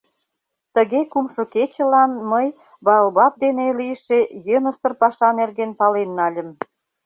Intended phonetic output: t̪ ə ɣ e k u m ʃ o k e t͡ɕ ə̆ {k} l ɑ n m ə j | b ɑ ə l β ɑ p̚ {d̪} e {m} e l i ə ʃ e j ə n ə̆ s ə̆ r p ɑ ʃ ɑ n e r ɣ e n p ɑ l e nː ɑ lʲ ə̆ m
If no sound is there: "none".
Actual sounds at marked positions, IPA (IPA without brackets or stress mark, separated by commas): none, d̪, n